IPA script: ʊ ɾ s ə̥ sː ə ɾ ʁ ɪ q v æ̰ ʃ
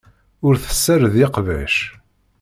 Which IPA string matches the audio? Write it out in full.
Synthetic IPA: ʊ ɾ θ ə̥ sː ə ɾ ð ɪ q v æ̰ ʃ

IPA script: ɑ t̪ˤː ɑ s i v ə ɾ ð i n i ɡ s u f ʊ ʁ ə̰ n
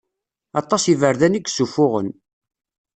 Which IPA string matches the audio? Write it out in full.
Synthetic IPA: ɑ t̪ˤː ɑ s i v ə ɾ ð æ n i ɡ s u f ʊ ʁ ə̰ n

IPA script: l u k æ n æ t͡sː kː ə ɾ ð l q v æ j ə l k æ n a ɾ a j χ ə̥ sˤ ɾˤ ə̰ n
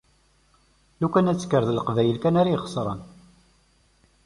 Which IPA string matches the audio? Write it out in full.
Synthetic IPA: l u k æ n æ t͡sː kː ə ɾ ð l q v æ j ə l k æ n a ɾ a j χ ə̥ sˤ ɾˤ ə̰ n

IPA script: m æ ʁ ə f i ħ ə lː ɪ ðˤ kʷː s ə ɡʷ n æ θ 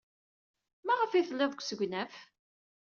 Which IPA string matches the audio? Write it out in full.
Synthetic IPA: m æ ʁ ə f i θ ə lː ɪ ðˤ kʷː s ə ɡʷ n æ f

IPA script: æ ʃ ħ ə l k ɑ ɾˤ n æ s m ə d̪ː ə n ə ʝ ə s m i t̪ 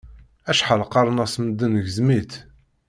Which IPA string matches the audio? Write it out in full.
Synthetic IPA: æ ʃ ħ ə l q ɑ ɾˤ n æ s m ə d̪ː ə n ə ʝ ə z m i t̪

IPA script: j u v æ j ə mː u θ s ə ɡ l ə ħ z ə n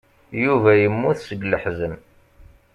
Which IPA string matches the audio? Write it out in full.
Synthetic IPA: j u v æ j ə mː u θ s ə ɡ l ə ħ z ə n

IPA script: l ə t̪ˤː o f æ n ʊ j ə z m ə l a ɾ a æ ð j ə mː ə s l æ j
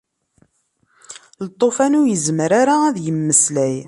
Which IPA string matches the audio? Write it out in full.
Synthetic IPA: l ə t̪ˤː o f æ n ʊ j ə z m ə ɾ a ɾ a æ ð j ə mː ə s l æ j

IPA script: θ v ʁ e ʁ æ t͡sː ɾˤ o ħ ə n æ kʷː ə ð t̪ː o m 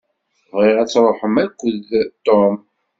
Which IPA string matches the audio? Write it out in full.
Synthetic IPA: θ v ʁ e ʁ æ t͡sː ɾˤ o ħ ə m æ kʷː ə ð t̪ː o m

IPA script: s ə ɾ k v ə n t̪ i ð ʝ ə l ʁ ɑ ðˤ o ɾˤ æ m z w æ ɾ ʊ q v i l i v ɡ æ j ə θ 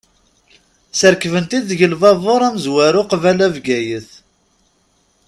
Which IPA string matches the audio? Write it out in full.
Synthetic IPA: s ə ɾ k v ə n t̪ i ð ʝ ə l v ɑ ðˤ o ɾˤ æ m z w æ ɾ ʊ q v æ l æ v ɡ æ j ə θ

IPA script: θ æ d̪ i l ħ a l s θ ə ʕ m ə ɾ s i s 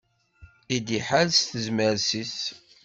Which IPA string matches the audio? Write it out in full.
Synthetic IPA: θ i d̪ i ħ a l s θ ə z m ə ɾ s i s

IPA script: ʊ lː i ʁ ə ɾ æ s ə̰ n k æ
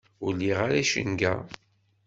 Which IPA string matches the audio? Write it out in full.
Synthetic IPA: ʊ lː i ʁ a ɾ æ ʃ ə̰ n ɡ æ

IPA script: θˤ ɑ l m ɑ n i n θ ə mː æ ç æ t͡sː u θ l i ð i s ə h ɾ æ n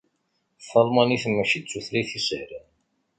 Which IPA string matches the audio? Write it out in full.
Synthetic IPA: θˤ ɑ l m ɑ n i θ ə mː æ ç i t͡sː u θ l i θ i s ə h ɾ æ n

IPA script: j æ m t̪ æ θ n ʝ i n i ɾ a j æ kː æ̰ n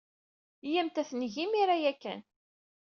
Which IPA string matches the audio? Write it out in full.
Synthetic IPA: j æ m t̪ æ θ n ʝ i m i ɾ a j æ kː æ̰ n

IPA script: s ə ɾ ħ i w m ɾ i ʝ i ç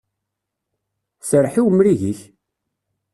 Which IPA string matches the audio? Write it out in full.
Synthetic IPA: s ə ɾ ħ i w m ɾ i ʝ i ç

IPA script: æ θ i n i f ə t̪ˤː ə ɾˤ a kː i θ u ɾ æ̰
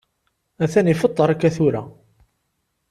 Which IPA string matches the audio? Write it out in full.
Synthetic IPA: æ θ æ n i f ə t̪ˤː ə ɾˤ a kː æ θ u ɾ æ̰

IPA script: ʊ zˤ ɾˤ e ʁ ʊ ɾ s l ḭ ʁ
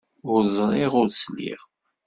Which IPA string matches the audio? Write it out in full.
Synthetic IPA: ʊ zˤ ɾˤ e ʁ ʊ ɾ s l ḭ ʁ

